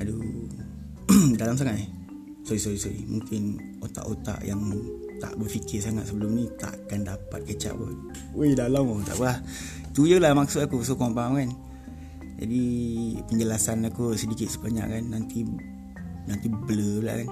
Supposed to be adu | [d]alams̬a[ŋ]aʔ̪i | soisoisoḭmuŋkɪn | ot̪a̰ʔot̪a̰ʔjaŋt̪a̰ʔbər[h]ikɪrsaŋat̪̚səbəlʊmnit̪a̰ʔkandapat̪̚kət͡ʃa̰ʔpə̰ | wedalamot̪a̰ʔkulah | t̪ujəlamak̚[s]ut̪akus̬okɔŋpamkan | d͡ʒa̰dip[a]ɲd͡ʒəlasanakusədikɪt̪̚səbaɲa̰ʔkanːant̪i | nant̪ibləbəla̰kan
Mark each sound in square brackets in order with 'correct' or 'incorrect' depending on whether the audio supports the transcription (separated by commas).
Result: correct, correct, incorrect, correct, incorrect